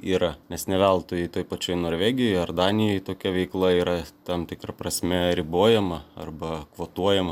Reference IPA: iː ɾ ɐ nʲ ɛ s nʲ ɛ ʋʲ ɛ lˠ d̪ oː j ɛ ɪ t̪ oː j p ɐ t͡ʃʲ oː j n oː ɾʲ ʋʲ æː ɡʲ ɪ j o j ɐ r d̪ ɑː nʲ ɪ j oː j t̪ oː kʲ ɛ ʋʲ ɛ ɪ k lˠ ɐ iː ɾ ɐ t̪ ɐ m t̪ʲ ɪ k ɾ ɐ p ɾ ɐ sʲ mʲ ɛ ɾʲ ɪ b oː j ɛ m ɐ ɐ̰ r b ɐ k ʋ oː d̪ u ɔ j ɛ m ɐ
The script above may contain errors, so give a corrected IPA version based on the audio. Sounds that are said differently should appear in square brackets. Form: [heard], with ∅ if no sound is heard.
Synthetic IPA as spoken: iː ɾ ɐ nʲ ɛ s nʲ ɛ ʋʲ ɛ lˠ [t̪] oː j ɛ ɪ t̪ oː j p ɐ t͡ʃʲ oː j n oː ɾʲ ʋʲ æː ɡʲ ɪ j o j ɐ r d̪ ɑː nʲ ɪ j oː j t̪ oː kʲ ɛ ʋʲ ɛ ɪ k lˠ ɐ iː ɾ ɐ t̪ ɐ m t̪ʲ ɪ k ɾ ɐ p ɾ ɐ sʲ mʲ ɛ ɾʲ ɪ b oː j ɛ m ɐ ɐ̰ r b ɐ k ʋ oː [t̪] u ɔ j ɛ m ɐ